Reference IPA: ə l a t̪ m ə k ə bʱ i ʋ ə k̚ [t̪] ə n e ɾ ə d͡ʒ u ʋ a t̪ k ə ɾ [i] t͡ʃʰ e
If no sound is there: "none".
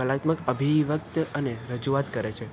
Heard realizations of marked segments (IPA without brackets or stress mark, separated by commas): t̪, e